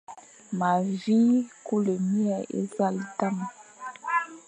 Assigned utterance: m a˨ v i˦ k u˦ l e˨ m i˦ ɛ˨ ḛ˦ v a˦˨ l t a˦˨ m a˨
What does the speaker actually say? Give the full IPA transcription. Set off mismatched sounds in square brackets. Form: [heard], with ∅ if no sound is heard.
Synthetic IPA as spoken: m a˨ v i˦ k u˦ l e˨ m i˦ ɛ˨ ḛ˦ [z] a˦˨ l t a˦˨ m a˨